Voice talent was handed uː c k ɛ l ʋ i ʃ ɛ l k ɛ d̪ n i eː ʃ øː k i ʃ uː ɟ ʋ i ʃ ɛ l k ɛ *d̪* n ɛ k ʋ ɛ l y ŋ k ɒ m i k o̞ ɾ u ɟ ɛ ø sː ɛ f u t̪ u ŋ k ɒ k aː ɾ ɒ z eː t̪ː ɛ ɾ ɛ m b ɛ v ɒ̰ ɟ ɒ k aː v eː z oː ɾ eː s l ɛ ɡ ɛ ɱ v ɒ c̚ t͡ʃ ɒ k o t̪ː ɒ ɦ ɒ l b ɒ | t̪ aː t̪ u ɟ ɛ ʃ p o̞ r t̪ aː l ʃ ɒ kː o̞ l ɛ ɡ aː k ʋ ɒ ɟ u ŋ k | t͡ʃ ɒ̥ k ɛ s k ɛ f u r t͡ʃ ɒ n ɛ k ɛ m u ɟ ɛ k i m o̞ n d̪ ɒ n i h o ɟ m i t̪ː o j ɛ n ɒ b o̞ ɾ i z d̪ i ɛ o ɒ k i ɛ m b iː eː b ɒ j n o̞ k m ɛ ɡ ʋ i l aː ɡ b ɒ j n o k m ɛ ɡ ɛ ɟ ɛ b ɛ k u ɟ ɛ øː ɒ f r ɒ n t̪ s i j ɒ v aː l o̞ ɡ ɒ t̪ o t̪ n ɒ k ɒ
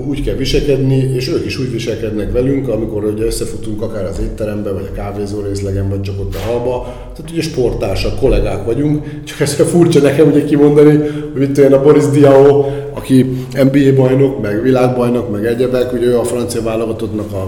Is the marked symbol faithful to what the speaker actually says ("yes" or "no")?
yes